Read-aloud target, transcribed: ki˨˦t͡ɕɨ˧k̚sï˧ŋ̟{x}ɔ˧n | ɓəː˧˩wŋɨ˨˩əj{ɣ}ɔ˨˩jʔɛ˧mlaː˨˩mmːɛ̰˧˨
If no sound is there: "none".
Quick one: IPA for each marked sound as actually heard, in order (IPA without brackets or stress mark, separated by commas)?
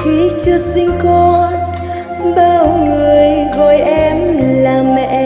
k, ɣ